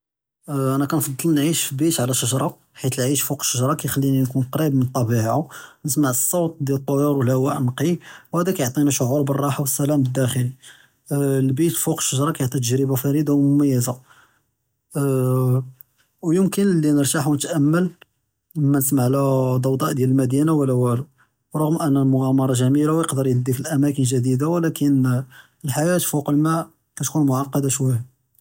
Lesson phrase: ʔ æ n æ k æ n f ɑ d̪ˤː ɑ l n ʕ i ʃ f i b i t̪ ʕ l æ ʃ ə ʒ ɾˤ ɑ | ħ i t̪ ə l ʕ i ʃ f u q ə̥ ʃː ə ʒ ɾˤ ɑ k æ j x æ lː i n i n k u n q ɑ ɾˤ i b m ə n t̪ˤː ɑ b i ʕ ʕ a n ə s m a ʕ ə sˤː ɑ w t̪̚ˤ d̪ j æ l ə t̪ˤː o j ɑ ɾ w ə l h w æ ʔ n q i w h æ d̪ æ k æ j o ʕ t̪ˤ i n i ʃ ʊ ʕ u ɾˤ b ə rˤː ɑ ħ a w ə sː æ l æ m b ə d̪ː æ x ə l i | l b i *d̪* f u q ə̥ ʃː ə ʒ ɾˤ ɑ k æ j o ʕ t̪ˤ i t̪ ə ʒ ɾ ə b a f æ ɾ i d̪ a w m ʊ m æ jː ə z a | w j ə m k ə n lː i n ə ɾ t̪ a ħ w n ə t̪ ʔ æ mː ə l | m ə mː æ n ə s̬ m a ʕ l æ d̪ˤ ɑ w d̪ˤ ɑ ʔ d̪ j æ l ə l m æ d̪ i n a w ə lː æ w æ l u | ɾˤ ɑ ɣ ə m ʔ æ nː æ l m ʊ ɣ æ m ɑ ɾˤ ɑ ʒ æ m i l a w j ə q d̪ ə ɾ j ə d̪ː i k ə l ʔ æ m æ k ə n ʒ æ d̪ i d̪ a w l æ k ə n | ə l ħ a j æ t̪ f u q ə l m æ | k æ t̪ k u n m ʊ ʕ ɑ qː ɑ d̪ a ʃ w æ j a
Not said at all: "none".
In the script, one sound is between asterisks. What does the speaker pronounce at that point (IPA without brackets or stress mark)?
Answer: t̪